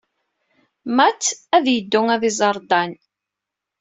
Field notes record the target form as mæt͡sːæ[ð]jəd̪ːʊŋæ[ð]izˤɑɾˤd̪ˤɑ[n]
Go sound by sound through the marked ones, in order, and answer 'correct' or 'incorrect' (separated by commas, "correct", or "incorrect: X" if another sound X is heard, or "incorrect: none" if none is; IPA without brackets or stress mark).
correct, correct, correct